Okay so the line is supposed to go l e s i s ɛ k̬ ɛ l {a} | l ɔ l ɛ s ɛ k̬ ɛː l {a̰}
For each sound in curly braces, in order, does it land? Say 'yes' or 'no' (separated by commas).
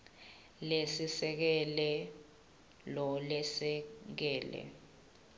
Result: no, no